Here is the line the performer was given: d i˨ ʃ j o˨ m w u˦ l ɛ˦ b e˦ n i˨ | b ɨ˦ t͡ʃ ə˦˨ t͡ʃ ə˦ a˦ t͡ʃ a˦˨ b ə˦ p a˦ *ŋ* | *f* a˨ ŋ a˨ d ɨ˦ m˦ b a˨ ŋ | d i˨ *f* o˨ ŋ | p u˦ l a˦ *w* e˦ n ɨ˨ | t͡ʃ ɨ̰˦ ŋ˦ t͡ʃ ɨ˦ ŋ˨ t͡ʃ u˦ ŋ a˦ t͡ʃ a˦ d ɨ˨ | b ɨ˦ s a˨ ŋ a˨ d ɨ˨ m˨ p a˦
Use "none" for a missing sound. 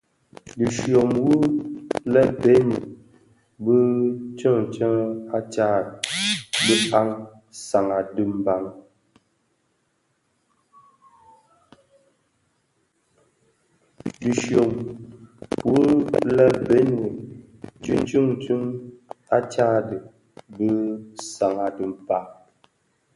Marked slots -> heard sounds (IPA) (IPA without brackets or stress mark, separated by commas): ŋ, s, ʃ, b